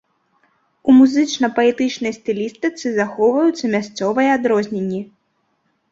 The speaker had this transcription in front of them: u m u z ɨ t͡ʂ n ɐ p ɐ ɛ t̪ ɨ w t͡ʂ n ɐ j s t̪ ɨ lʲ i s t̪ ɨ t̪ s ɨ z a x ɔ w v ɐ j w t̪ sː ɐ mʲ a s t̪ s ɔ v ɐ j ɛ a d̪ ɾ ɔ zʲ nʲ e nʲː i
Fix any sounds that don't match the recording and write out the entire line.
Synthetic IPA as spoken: u m u z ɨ t͡ʂ n ɐ p ɐ ɛ t̪ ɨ t͡ʂ n ɐ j s t̪ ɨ lʲ i s t̪ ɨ t̪ s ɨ z a x ɔ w v ɐ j u t̪ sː ɐ mʲ a s t̪ s ɔ v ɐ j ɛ a d̪ ɾ ɔ zʲ nʲ e nʲː i